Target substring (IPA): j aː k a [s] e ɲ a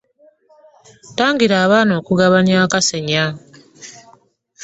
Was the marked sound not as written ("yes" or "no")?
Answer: no